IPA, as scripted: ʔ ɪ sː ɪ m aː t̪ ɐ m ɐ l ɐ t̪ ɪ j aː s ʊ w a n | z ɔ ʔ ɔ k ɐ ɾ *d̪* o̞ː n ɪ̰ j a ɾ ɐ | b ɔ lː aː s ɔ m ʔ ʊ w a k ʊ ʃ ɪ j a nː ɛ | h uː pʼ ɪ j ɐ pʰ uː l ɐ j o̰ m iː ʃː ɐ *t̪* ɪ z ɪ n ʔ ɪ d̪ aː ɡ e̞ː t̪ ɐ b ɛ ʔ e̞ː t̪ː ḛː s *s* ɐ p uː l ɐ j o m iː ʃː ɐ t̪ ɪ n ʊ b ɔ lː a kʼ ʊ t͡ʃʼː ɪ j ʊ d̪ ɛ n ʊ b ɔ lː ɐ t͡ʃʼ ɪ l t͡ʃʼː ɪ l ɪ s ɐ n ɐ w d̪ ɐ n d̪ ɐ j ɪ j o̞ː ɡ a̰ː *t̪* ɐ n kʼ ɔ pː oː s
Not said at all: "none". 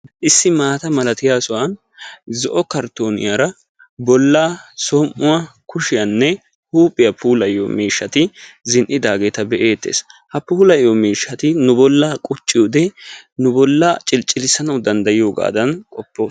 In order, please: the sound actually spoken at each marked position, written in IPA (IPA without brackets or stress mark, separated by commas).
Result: t̪, t̪, h, d̪